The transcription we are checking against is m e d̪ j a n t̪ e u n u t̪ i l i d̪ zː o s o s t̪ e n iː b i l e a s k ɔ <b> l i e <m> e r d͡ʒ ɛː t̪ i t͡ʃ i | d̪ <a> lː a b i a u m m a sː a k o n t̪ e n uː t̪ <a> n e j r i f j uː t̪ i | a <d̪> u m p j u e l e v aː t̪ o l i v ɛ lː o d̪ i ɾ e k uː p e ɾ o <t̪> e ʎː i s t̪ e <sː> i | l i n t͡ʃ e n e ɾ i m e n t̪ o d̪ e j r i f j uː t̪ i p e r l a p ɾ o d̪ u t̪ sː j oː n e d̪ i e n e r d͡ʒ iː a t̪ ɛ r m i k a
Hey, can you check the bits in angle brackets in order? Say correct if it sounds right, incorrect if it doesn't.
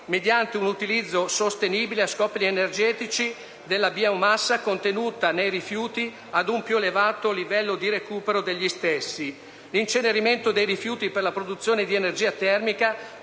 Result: incorrect: p, incorrect: n, incorrect: e, correct, correct, incorrect: d̪, correct

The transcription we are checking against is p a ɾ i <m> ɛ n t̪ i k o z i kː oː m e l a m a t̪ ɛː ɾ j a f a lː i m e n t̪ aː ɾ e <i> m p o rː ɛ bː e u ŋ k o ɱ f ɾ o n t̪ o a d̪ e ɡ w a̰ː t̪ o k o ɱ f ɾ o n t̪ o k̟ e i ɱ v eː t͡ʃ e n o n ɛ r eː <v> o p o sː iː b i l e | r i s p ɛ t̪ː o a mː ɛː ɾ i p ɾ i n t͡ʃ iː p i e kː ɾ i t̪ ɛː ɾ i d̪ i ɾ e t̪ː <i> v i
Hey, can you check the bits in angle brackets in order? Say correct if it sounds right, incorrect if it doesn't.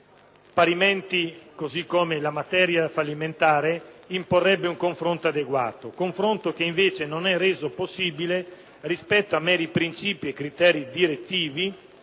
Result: correct, correct, incorrect: z, incorrect: iː

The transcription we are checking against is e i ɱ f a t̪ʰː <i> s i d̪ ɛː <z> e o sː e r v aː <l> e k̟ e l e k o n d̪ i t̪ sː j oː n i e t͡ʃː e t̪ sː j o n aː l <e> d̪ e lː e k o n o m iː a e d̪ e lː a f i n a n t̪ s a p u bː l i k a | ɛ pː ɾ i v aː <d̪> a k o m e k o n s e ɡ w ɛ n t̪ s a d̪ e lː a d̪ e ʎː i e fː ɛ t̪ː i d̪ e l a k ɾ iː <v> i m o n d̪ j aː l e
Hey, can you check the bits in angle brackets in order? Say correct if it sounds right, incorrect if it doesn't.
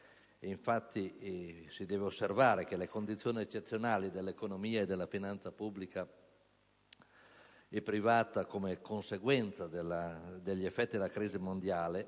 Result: correct, incorrect: v, incorrect: ɾ, incorrect: i, incorrect: t̪, incorrect: z

